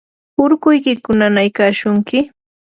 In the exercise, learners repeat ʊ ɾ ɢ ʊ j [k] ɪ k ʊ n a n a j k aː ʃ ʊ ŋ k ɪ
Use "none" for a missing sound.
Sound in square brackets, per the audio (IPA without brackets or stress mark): k